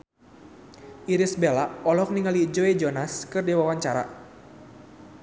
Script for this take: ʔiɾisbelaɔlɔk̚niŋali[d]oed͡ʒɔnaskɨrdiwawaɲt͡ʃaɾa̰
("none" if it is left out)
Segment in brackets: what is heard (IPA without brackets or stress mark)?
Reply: d͡ʒ